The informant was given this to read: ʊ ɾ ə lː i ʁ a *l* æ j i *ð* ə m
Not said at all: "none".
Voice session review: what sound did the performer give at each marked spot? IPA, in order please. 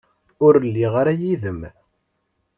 ɾ, ð

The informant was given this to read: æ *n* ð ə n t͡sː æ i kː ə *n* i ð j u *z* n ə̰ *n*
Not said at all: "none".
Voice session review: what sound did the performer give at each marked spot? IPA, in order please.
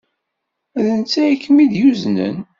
none, m, z, n

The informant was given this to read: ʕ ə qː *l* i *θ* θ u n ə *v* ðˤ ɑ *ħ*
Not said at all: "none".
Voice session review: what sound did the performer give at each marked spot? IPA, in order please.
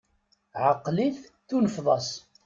l, θ, f, s

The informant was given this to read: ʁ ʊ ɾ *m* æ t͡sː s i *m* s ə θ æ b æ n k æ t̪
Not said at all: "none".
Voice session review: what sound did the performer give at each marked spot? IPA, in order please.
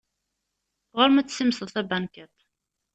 m, m

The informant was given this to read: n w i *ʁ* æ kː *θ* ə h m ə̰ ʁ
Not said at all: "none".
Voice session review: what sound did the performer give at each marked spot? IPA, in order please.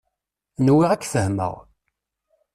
ʁ, θ

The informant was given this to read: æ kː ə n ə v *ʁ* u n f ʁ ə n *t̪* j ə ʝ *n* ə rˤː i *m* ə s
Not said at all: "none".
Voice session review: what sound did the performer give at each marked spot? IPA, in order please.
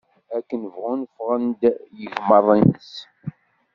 ʁ, d̪, m, n

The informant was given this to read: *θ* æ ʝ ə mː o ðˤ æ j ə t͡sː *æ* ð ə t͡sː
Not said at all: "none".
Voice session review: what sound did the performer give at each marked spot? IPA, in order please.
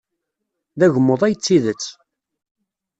ð, i

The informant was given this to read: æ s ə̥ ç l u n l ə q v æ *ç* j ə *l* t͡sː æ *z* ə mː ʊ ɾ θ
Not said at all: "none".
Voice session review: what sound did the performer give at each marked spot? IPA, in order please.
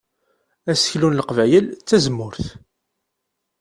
none, l, z

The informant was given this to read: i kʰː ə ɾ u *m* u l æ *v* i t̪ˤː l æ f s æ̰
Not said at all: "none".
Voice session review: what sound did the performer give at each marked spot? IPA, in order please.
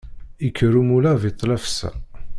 m, v

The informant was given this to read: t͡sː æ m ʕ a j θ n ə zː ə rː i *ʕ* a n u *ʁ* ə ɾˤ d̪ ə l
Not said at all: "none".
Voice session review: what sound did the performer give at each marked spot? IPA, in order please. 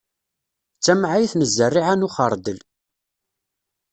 ʕ, χ

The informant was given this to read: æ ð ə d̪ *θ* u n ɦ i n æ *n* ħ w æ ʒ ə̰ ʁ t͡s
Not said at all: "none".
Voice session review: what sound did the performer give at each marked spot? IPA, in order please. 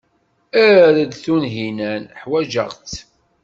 θ, n

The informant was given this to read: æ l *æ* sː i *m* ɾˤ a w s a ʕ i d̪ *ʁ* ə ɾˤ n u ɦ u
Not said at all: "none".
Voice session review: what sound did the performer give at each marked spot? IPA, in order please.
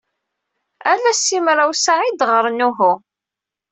æ, m, ʁ

